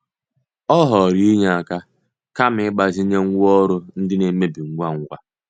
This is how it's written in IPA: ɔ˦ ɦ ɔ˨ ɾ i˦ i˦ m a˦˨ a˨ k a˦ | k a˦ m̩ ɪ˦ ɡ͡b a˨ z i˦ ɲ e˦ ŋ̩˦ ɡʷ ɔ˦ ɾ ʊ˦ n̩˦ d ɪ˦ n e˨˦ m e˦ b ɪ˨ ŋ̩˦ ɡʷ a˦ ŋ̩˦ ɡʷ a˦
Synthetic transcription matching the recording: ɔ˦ ɦ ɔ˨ ɾ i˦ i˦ ɲ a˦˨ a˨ k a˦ | k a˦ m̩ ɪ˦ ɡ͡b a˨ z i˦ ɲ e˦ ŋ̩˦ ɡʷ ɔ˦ ɾ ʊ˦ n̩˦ d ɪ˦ n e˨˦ m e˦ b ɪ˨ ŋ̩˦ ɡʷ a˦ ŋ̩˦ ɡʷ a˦